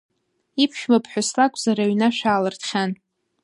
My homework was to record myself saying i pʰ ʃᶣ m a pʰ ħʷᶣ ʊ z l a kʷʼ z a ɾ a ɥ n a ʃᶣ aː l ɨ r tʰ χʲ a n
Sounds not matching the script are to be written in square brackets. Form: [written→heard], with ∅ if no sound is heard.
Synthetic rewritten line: i pʰ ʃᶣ m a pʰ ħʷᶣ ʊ [z→s] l a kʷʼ z a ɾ a ɥ n a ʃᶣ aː l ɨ r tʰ χʲ a n